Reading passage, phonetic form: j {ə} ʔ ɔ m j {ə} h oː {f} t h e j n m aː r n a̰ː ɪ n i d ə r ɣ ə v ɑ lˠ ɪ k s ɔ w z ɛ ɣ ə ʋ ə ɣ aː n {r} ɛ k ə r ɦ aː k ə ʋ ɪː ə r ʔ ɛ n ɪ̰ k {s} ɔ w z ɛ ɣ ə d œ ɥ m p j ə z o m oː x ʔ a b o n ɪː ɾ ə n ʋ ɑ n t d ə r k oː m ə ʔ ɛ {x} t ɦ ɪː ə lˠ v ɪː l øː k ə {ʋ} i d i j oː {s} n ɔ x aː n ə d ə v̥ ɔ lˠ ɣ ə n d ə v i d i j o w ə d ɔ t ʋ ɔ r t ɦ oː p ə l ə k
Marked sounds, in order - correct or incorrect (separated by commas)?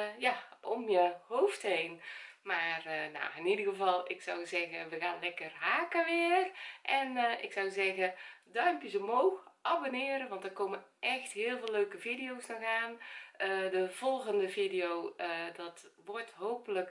incorrect, correct, correct, incorrect, correct, correct, incorrect, correct